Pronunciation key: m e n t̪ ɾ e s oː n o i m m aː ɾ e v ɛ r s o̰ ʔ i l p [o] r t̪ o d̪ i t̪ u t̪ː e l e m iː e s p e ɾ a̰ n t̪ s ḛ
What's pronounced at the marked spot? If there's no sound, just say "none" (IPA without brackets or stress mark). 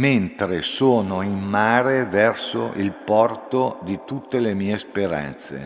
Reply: ɔ